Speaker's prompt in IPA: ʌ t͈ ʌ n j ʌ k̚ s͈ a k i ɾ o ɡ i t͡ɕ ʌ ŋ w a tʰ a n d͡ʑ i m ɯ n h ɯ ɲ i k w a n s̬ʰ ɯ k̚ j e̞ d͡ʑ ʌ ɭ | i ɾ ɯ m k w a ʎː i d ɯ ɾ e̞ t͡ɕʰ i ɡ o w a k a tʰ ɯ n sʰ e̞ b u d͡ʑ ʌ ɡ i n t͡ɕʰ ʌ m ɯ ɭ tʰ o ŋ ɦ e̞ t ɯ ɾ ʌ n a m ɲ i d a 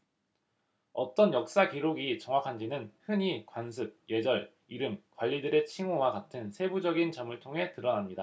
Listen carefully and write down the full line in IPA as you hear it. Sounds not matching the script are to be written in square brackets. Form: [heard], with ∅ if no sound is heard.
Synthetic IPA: ʌ t͈ ʌ n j ʌ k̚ s͈ a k i ɾ o ɡ i t͡ɕ ʌ ŋ w a [kʰ] a n d͡ʑ i [n] ɯ n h ɯ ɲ i k w a n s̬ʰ ɯ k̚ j e̞ d͡ʑ ʌ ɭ | i ɾ ɯ m k w a ʎː i d ɯ ɾ e̞ t͡ɕʰ i [ŋ] o w a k a tʰ ɯ n sʰ e̞ b u d͡ʑ ʌ ɡ i n [t͡ɕ] ʌ m ɯ ɭ tʰ o ŋ ɦ e̞ t ɯ ɾ ʌ n a m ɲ i d a